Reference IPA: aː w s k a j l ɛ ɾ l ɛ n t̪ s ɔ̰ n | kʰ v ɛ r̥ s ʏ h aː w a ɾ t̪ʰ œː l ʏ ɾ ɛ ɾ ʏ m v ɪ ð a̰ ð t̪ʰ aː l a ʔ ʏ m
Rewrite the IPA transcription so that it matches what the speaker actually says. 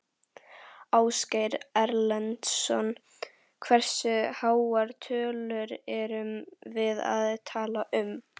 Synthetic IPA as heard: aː w s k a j ɾ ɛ ɾ l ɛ n t̪ s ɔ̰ n | kʰ v ɛ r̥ s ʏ h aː w a ɾ t̪ʰ œː l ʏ ɾ ɛ ɾ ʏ m v ɪ ð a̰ ð t̪ʰ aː l a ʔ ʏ m